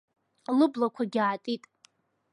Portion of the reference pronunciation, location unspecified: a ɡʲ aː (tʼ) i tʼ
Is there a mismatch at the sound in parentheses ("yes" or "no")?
no